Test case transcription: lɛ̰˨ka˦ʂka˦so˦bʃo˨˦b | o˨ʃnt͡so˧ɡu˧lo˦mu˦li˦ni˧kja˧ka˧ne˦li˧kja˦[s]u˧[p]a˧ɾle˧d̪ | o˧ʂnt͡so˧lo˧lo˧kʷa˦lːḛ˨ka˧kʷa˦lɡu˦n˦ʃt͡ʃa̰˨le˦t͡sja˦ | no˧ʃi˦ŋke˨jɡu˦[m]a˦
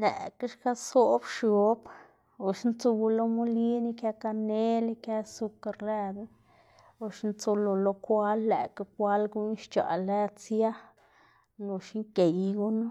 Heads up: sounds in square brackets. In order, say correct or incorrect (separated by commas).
correct, incorrect, incorrect